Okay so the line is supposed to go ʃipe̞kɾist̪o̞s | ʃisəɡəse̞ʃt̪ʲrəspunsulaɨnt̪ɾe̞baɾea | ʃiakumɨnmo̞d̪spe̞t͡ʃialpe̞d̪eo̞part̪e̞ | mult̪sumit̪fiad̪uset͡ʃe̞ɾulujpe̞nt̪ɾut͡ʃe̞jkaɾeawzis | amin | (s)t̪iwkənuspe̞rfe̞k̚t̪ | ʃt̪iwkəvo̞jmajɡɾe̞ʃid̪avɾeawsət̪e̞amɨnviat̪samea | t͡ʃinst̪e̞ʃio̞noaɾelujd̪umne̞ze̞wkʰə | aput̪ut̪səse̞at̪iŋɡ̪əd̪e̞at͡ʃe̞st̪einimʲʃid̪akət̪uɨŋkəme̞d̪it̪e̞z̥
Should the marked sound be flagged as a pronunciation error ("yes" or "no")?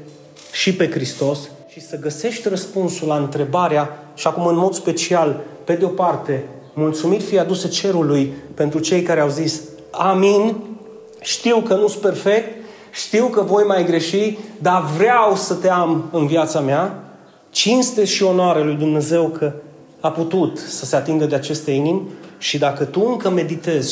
yes